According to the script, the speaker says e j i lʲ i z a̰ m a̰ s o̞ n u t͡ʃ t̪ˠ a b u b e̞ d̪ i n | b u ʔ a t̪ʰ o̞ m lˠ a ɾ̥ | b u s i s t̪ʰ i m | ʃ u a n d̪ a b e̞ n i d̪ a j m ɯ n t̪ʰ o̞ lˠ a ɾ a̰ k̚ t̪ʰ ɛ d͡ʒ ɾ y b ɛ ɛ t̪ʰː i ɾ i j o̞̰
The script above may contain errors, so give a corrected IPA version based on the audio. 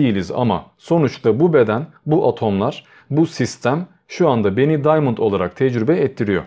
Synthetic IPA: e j i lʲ i z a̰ m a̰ s o̞ n u t͡ʃ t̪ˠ a b u b e̞ d̪ æ n | b u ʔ a t̪ʰ o̞ m lˠ a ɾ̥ | b u s i s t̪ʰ æ m | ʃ u a n d̪ a b e̞ n i d̪ a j m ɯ n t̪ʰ o̞ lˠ a ɾ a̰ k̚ t̪ʰ ɛ d͡ʒ ɾ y b ɛ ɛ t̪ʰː i ɾ i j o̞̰